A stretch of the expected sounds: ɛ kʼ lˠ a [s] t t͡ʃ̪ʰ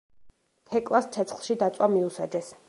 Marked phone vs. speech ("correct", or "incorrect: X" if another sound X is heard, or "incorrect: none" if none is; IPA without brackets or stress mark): correct